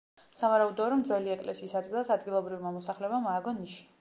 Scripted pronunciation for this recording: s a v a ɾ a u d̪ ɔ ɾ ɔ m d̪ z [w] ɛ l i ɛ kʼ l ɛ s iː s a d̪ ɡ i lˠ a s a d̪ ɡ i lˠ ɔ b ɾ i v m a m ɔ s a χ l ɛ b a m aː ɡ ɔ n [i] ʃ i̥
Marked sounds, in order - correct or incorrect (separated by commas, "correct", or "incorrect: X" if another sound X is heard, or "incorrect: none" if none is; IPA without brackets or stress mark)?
correct, correct